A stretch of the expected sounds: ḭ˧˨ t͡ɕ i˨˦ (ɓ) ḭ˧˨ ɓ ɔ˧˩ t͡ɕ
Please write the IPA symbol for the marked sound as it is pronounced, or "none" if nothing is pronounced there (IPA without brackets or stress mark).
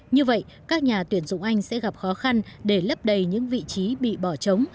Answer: ɓ